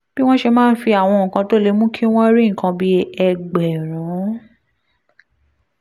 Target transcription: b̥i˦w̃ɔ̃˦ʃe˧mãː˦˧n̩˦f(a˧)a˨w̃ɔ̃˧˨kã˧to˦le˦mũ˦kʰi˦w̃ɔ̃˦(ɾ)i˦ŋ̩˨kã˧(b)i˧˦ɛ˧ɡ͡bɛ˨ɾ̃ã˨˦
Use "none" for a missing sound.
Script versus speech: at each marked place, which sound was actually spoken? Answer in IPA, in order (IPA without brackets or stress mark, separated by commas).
i˧, ɾ, b